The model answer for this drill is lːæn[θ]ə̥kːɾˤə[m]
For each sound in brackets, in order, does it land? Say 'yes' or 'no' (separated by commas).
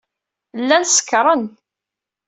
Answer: no, no